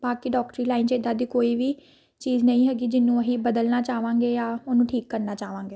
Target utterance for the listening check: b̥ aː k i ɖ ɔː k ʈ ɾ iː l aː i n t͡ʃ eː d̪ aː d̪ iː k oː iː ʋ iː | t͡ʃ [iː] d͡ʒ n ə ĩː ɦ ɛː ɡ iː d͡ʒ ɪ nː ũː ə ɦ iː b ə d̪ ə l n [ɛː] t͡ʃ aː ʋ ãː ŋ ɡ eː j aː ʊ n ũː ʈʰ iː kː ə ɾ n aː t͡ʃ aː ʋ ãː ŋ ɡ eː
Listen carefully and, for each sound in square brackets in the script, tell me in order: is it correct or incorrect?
correct, incorrect

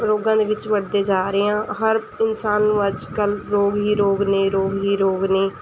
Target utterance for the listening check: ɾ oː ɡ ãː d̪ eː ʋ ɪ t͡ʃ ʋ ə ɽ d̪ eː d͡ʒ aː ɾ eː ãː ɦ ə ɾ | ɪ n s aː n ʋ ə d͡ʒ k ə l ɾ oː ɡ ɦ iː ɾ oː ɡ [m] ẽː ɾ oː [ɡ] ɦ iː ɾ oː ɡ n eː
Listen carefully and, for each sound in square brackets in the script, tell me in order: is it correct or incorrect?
incorrect, correct

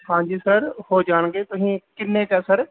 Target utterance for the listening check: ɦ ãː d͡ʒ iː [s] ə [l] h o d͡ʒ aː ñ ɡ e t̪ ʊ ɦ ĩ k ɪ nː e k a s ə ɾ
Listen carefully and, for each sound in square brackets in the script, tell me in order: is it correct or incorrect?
correct, incorrect

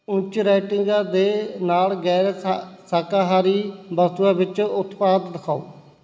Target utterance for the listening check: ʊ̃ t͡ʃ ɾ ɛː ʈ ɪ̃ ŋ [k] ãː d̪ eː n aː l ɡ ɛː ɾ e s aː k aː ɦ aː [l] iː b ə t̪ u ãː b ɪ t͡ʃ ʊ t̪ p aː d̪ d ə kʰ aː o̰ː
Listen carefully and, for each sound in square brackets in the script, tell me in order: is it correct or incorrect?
incorrect, incorrect

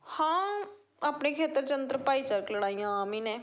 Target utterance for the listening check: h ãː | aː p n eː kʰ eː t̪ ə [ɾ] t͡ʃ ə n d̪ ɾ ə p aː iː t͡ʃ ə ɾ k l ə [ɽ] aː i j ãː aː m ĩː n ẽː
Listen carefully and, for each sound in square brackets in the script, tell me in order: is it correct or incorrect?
correct, correct

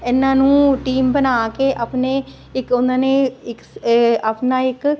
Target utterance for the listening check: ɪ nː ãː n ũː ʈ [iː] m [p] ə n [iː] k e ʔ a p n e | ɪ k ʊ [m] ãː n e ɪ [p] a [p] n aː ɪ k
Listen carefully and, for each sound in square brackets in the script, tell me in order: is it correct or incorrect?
correct, incorrect, incorrect, incorrect, incorrect, correct

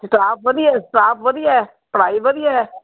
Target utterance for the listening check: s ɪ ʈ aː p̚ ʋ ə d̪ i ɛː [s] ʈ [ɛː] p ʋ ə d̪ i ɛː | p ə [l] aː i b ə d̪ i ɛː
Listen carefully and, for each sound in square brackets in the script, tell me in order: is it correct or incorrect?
correct, incorrect, incorrect

